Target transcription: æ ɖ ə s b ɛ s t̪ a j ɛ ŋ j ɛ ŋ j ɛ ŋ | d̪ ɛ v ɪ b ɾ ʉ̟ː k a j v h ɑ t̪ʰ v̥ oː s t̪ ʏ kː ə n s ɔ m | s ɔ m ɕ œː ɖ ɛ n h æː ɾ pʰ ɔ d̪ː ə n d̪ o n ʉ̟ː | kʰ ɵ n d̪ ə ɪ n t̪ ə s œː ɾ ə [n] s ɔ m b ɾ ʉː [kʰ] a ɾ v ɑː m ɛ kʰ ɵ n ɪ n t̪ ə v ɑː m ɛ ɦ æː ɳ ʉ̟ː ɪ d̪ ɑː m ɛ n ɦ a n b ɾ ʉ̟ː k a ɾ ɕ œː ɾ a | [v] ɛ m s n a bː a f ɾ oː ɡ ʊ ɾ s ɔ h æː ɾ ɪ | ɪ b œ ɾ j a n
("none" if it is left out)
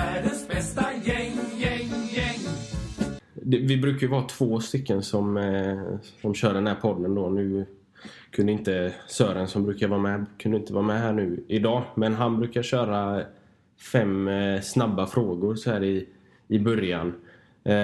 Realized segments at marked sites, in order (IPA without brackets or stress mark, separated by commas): n, k, f